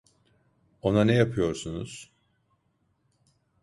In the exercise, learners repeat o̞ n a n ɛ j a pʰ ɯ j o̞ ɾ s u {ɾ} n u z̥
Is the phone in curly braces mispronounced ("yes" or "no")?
yes